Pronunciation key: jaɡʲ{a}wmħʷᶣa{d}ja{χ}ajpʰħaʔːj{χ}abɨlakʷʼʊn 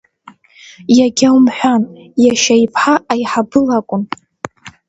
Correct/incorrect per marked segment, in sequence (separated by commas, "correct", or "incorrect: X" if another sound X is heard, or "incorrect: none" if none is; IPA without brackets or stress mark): correct, incorrect: n, incorrect: ʃ, incorrect: ħ